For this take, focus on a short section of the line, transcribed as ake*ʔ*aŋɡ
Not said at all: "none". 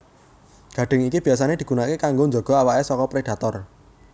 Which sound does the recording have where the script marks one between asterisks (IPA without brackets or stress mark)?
k